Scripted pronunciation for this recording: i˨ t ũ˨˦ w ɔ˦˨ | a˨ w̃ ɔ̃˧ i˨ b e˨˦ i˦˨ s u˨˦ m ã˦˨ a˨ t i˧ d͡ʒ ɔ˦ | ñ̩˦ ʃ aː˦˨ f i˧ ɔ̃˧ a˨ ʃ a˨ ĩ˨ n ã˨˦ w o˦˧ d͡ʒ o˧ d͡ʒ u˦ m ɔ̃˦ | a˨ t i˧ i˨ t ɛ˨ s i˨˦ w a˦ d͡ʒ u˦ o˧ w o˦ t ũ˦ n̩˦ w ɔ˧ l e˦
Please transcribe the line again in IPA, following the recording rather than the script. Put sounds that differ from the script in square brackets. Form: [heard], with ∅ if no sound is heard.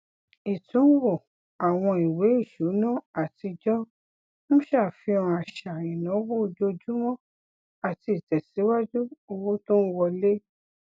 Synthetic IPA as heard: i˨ t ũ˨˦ w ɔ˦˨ | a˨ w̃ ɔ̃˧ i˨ [w] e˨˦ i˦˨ [ʃ] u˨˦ [n] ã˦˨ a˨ t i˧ d͡ʒ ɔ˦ | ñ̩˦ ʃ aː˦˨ f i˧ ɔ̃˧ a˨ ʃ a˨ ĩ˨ n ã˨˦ w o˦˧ d͡ʒ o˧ d͡ʒ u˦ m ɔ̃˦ | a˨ t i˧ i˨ t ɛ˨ s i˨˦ w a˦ d͡ʒ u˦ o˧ w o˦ t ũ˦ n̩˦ w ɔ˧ l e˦